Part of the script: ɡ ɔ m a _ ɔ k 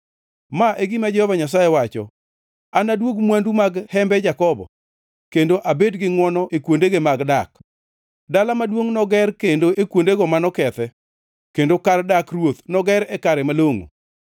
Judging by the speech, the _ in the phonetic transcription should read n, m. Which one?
n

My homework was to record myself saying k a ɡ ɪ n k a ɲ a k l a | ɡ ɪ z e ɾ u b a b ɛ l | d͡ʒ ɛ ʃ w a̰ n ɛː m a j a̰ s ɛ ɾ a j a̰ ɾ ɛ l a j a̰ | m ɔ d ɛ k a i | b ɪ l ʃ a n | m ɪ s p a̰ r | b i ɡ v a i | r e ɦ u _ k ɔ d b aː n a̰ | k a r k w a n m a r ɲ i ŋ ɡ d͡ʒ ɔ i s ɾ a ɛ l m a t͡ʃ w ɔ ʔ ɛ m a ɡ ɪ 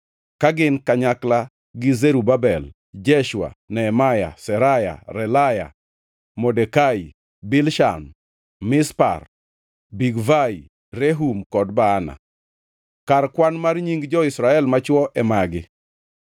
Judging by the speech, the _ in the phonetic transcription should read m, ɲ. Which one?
m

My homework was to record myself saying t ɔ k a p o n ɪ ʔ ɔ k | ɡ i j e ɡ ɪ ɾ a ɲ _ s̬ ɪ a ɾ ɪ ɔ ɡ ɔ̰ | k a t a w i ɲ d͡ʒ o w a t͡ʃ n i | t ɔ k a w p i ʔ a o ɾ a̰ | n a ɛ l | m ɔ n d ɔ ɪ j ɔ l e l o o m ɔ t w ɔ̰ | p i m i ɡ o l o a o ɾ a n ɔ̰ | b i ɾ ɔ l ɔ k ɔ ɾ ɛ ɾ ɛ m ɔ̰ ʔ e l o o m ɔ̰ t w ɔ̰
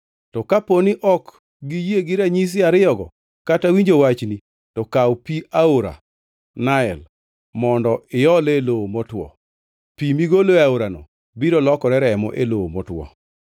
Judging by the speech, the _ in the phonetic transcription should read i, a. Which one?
i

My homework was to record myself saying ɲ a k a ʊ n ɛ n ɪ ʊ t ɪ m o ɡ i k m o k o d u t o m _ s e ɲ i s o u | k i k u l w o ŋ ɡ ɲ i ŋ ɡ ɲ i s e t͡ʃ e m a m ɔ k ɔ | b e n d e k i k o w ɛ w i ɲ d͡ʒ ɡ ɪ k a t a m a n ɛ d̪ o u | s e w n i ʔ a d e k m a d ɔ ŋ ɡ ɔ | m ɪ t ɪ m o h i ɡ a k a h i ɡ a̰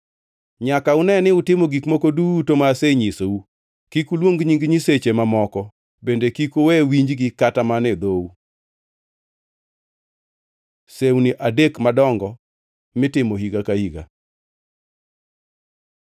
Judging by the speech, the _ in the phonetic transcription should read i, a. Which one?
a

